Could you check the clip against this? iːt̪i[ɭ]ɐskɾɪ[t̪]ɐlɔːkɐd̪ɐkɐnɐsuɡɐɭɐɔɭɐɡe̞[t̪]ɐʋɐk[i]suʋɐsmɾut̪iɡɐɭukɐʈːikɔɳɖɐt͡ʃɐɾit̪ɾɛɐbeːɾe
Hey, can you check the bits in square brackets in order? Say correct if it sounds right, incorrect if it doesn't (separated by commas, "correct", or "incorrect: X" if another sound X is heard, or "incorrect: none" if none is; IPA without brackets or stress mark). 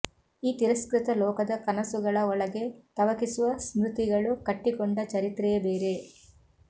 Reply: incorrect: ɾ, correct, correct, correct